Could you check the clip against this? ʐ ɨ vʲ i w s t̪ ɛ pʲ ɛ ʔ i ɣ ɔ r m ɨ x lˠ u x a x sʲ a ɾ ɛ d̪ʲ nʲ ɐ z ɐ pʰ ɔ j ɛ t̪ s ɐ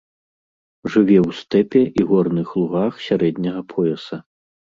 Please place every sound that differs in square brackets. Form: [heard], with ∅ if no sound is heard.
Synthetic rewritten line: ʐ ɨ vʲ [ɛ] w s t̪ ɛ pʲ ɛ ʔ i ɣ ɔ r [n] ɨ x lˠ u [ɣ] a x sʲ a ɾ ɛ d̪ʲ nʲ ɐ [ɣ] ɐ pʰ ɔ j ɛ [∅] s ɐ